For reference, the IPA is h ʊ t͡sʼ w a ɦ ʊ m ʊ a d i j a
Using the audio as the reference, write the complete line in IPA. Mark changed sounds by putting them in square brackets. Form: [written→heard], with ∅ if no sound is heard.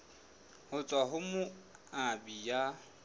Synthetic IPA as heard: h ʊ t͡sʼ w a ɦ ʊ m ʊ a [d→b] i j a

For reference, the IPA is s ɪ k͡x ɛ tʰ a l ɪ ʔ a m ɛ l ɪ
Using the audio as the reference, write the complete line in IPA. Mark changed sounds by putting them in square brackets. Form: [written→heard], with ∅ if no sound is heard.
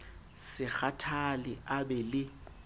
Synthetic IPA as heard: s ɪ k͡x [ɛ→a] tʰ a l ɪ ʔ a [m→b] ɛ l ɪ

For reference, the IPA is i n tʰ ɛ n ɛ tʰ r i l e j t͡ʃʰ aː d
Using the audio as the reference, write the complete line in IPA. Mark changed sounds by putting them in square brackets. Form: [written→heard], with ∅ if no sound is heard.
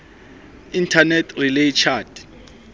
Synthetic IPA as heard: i n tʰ [ɛ→a] n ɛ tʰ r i l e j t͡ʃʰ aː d

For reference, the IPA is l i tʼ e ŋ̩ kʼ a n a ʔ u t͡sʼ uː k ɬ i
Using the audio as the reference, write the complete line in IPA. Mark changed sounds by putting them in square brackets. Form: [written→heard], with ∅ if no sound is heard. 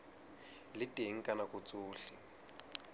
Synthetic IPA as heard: l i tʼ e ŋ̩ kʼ a n a [ʔ→k] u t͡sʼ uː [k→∅] ɬ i

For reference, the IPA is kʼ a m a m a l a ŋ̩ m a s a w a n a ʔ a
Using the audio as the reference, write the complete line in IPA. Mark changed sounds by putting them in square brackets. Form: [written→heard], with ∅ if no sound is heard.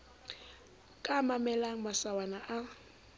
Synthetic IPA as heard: kʼ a m a m [a→ɛ] l a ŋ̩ m a s a w a n a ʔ a

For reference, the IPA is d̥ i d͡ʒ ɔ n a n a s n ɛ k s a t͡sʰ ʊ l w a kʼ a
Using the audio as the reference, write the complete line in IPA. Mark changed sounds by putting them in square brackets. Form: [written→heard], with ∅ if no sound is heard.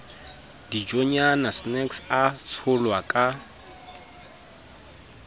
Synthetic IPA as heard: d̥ i d͡ʒ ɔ [n→ɲ] a n a s n ɛ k s a t͡sʰ ʊ l w a kʼ a

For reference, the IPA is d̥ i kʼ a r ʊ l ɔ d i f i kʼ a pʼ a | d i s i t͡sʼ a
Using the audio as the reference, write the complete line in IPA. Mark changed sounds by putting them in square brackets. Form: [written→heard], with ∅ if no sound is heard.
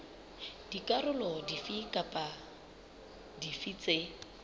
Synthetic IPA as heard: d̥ i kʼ a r ʊ l ɔ d i f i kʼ a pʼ a | d i [s→f] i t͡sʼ [a→e]

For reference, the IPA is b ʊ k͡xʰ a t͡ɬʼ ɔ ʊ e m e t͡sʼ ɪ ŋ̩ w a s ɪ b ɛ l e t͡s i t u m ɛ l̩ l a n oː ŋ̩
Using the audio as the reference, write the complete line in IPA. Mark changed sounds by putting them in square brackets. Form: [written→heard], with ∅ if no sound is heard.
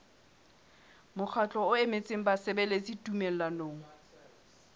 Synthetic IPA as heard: [b→m] ʊ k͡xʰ a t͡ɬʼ ɔ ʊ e m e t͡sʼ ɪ ŋ̩ [w→b] a s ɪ b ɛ l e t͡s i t u m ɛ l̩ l a n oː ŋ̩

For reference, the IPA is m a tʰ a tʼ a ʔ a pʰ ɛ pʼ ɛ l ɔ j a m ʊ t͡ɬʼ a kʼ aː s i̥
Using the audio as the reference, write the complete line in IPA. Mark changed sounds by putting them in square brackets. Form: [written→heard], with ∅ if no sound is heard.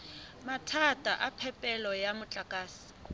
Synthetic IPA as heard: m a tʰ a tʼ a ʔ a pʰ ɛ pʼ ɛ l ɔ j a m ʊ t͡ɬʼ a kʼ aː s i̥

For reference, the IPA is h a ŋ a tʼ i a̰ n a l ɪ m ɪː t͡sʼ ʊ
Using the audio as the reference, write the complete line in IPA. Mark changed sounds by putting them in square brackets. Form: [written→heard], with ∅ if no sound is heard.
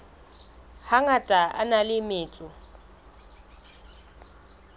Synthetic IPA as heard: h a ŋ a tʼ [i→a] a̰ n a l ɪ m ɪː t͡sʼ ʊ

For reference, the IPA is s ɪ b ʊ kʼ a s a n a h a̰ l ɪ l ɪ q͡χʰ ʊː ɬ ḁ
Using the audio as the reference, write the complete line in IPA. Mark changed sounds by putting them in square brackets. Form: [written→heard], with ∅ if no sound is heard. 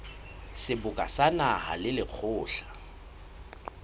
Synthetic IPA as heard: s ɪ b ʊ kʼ a s a n a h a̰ l ɪ l ɪ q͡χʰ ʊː ɬ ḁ

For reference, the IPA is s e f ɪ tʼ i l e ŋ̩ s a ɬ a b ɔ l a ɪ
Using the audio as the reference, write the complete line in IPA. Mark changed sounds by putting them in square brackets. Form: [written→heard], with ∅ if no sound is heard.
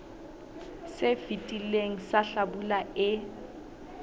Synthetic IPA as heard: s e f [ɪ→i] tʼ i l e ŋ̩ s a ɬ a b [ɔ→u] l a ɪ

